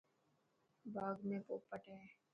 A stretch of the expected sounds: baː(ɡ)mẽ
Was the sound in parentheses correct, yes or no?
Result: yes